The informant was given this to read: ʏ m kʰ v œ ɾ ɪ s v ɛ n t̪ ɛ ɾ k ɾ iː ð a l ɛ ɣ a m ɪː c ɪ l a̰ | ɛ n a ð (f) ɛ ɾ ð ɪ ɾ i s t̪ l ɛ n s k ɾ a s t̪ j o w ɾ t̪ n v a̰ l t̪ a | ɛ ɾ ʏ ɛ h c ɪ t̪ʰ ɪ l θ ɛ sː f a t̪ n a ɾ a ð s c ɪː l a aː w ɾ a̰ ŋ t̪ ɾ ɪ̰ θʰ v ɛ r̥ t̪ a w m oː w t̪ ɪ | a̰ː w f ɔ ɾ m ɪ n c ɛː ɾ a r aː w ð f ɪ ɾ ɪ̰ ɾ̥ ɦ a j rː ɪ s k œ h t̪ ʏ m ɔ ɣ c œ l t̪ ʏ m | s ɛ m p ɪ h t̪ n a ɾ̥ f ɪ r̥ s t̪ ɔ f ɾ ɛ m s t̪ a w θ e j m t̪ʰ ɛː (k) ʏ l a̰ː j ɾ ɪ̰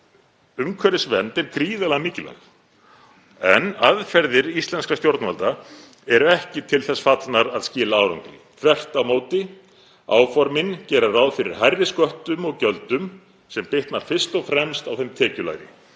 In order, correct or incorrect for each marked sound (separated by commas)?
correct, incorrect